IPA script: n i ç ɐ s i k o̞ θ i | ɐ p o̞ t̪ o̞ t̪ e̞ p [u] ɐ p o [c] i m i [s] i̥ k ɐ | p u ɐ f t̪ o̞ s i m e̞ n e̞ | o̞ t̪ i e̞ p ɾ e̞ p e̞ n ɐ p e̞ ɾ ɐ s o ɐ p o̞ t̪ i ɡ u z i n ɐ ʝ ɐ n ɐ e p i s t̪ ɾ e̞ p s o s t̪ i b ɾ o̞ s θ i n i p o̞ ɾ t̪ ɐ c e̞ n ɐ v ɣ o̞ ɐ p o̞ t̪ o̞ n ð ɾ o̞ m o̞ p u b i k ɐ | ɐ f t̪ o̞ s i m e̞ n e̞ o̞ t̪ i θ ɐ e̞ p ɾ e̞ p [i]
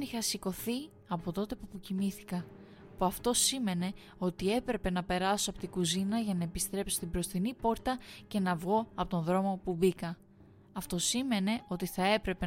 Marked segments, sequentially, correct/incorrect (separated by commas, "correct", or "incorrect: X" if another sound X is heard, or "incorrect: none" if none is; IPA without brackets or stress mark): correct, correct, incorrect: θ, incorrect: e